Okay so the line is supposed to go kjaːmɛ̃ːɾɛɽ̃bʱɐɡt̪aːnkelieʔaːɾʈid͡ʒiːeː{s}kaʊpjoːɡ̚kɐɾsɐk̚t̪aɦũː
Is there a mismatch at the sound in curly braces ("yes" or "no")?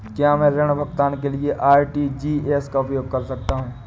no